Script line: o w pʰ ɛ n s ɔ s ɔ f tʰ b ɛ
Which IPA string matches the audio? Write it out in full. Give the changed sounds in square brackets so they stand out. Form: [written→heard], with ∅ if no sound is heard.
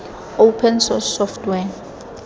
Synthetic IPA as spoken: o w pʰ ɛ n s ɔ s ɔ f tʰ [b→w] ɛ